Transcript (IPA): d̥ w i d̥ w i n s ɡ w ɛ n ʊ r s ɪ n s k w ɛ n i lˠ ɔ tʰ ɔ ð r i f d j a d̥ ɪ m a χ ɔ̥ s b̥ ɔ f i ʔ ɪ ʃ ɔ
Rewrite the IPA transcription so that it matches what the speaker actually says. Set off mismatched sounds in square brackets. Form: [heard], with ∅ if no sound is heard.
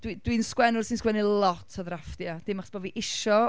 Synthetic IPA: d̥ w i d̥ w i n s [k] w ɛ n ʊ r s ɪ n s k w ɛ n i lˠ ɔ tʰ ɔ ð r [a] f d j a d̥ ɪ m a χ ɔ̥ s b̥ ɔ [v] i ʔ ɪ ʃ ɔ